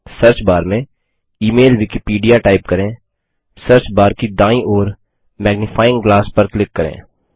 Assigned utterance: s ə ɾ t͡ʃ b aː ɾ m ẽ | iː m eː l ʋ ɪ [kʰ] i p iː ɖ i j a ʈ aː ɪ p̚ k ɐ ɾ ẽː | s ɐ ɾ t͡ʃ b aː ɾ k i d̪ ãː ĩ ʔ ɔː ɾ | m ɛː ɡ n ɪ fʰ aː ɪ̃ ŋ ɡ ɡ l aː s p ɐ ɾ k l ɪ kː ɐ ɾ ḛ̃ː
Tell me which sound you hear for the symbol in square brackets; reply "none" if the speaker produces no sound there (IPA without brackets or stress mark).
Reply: k